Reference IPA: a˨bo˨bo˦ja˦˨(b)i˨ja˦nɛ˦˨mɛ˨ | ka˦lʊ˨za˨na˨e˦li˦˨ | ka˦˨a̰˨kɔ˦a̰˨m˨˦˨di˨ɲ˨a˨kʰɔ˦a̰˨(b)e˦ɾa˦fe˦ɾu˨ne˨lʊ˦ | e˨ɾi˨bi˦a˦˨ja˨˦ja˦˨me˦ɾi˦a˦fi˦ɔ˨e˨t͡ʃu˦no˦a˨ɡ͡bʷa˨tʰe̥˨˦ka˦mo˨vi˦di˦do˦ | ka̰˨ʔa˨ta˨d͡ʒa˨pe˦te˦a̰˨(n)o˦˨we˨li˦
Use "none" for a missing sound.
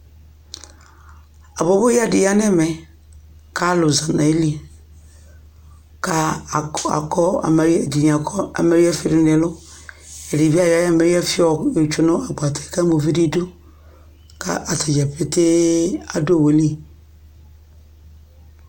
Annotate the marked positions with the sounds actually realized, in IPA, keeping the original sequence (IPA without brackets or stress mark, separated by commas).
d, m, d